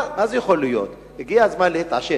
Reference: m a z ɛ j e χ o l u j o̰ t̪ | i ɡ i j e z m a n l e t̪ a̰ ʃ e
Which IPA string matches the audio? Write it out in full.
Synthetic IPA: m a z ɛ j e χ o l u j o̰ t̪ | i ɡ i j a z m a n l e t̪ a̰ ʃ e